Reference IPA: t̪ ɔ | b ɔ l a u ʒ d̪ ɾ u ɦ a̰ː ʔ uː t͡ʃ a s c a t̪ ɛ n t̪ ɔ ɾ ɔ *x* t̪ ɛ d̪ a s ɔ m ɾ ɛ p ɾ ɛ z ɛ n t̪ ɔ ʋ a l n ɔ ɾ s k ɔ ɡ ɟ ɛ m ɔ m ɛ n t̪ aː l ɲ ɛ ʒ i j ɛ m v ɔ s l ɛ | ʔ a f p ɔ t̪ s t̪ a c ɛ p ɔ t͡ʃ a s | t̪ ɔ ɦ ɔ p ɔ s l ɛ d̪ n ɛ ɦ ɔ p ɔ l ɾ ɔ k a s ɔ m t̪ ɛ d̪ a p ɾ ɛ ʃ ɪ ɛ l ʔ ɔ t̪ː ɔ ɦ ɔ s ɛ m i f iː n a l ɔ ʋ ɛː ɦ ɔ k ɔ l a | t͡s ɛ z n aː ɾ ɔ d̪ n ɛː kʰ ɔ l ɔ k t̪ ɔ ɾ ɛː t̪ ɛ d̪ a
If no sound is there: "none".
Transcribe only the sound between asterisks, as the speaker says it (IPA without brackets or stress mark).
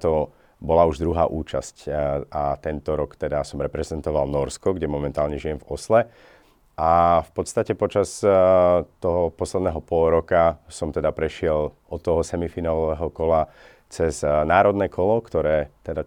k